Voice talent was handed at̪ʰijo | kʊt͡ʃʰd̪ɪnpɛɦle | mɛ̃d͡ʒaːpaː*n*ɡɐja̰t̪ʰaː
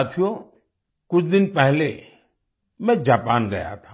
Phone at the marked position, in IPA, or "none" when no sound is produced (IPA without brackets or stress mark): n